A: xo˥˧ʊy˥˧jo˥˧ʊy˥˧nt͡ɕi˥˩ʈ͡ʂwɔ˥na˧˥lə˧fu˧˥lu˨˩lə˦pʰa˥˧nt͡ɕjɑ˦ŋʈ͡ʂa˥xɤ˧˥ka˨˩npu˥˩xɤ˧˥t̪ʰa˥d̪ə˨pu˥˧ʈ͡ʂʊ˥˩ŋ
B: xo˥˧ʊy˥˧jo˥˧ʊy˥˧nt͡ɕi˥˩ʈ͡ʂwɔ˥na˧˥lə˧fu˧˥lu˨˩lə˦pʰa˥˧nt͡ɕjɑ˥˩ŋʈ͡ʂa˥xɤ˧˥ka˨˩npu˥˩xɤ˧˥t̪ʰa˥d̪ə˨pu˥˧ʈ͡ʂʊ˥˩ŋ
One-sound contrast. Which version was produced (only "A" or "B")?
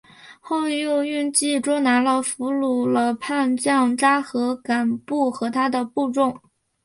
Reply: B